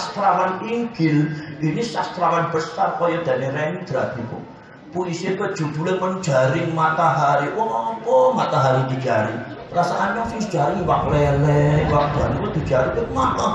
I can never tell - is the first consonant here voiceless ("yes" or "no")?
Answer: yes